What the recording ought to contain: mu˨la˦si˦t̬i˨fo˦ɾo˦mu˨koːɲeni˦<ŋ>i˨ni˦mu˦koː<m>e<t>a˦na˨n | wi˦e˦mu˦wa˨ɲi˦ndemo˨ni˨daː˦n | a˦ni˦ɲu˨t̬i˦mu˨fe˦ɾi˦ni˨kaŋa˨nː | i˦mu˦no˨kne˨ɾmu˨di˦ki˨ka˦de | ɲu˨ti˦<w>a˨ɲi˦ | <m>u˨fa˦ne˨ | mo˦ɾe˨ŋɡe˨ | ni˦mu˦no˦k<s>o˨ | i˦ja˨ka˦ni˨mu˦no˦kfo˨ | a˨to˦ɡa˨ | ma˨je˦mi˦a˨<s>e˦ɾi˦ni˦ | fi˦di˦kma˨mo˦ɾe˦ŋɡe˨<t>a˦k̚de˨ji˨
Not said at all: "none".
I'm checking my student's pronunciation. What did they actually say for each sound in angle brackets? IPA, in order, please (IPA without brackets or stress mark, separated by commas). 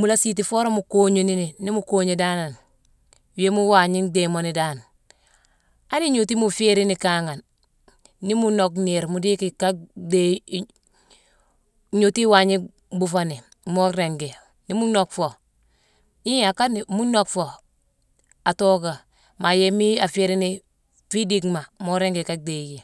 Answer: n, ɲ, d, w, b, f, f, k